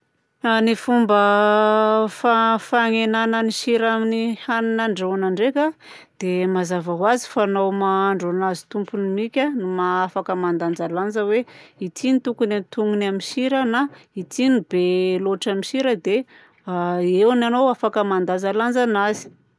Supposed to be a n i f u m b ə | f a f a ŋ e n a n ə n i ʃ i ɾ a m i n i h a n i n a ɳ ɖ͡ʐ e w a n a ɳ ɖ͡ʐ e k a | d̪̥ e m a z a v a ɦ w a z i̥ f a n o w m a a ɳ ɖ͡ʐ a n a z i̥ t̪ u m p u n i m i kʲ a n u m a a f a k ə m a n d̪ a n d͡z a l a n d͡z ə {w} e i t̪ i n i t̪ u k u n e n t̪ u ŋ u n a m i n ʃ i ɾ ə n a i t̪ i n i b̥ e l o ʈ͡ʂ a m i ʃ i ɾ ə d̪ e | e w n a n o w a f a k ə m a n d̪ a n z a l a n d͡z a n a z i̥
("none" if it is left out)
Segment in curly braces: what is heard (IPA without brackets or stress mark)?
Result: w